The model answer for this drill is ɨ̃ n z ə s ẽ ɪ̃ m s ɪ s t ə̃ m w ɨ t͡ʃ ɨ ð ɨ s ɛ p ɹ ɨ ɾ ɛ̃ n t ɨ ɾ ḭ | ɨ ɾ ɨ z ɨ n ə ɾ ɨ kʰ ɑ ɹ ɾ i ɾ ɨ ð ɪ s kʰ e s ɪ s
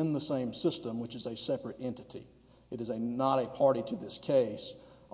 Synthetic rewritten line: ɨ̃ n ð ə s ẽ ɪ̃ m s ɪ s t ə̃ m w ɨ t͡ʃ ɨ z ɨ s ɛ p ɹ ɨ ɾ ɛ̃ n t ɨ ɾ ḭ | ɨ ɾ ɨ z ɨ n ə ɾ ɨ pʰ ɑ ɹ ɾ i ɾ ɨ ð ɪ s kʰ e ɪ s